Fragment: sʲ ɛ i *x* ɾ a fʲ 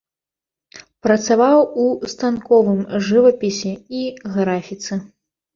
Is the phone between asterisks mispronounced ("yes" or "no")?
yes